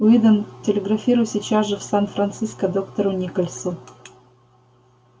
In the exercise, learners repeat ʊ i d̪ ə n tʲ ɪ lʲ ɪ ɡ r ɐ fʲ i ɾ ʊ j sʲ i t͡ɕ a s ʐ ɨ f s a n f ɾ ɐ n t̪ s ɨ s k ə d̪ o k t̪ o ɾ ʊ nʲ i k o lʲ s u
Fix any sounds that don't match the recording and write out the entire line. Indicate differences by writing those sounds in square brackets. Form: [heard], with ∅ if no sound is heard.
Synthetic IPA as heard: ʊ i d̪ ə n tʲ ɪ lʲ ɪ ɡ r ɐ fʲ i ɾ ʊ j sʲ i t͡ɕ a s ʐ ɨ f s a n f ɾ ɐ n t̪ s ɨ s k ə d̪ o k t̪ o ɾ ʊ nʲ i k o lʲ s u